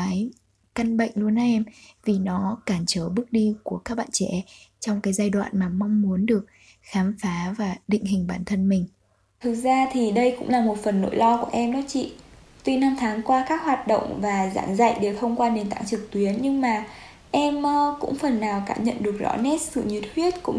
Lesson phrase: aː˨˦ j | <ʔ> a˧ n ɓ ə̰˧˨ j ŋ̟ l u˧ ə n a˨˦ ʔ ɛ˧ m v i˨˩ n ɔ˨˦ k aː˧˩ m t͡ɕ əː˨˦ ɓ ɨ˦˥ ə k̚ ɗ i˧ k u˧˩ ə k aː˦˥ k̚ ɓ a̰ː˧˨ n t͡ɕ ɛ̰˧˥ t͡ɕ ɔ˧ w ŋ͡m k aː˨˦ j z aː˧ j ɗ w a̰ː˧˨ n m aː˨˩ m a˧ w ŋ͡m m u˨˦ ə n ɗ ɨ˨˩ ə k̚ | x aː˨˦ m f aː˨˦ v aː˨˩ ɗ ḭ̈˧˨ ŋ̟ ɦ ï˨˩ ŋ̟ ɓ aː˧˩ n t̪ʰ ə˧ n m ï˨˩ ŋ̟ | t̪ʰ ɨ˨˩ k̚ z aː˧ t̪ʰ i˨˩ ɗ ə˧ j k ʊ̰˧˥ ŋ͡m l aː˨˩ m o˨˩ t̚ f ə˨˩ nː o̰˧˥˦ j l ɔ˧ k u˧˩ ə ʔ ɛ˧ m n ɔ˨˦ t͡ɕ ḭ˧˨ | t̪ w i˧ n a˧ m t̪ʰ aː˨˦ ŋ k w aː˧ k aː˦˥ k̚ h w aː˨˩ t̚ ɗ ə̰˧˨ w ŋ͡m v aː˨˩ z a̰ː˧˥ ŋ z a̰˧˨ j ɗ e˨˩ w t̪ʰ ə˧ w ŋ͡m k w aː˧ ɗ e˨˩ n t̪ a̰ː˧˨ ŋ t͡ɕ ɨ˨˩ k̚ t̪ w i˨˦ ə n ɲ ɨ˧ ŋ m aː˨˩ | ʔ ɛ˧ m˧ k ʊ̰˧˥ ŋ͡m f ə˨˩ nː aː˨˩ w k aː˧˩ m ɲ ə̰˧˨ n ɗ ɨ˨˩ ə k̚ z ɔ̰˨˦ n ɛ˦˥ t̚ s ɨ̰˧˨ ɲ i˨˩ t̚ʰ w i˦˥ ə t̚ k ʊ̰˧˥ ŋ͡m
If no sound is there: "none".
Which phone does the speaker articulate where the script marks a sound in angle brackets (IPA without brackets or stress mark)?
k